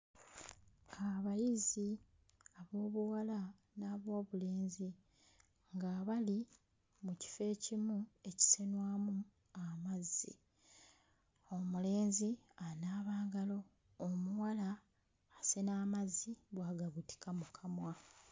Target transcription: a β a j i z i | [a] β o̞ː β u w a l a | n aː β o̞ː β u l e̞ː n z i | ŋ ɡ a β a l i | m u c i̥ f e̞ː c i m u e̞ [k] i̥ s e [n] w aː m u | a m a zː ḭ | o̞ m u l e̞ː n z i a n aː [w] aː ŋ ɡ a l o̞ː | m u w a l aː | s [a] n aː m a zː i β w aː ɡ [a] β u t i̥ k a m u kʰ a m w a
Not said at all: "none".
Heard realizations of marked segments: a, c, n, β, e, a

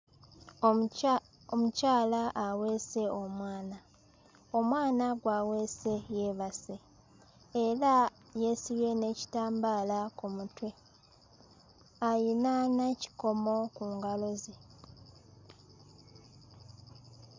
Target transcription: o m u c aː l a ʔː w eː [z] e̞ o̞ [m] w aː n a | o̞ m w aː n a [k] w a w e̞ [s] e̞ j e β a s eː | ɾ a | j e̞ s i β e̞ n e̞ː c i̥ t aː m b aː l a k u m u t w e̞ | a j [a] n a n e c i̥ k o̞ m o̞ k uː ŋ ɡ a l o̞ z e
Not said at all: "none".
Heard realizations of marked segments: s, m, ɡ, s, i

